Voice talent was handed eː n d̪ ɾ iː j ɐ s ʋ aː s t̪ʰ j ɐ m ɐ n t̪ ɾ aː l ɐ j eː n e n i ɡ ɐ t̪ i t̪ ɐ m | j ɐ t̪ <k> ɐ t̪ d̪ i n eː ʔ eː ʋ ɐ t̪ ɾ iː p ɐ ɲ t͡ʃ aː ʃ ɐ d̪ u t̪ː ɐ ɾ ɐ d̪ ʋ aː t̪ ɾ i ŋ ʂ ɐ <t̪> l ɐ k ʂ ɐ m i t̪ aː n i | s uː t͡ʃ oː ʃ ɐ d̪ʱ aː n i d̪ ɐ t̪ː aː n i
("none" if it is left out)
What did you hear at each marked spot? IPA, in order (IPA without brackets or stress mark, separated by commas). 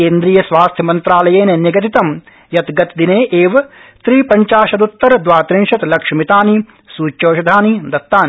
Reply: ɡ, t̪